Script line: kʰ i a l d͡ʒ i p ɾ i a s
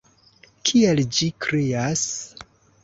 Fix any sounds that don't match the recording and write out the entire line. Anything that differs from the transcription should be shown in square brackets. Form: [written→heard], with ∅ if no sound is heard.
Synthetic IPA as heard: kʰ i [a→e] l d͡ʒ i [p→k] ɾ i a s